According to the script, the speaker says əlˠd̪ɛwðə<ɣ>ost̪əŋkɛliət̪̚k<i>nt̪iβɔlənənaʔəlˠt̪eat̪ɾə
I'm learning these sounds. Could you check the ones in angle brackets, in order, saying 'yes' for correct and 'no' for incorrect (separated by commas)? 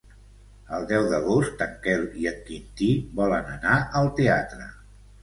yes, yes